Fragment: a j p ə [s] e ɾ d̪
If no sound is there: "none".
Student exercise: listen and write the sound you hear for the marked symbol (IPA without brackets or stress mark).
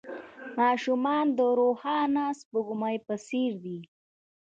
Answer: s